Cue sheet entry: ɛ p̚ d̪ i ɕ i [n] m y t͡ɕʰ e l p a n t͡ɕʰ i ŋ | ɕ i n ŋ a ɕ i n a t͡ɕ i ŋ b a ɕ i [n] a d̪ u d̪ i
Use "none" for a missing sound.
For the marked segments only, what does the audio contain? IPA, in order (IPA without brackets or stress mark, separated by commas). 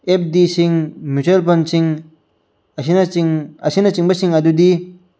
ŋ, ŋ